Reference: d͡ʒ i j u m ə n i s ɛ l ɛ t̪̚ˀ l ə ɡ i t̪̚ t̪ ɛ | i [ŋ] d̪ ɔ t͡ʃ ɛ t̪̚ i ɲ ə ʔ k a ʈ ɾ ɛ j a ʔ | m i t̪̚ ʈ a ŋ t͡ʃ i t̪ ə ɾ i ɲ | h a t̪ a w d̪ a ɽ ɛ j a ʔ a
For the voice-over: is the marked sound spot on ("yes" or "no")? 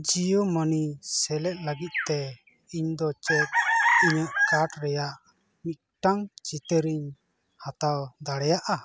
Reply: no